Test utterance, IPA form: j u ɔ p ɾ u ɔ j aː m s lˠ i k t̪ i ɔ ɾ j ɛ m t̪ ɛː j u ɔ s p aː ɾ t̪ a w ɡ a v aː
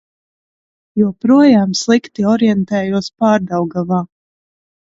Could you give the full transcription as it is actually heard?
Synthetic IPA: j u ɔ p ɾ u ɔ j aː m s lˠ i k t̪ i ɔ ɾ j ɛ n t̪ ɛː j u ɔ s p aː ɾ d̪ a w ɡ a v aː